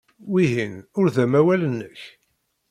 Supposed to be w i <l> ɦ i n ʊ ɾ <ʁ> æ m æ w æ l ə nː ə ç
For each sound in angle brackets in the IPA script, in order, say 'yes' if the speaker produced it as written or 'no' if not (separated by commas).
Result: no, no